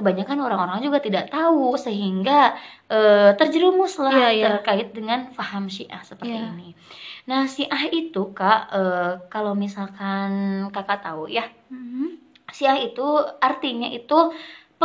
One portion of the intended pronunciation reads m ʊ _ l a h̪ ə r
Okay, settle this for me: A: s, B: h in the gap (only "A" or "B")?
A